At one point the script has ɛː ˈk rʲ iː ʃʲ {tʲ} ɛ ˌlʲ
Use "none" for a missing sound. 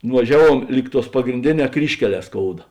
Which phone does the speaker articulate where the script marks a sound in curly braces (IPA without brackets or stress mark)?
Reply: kʲ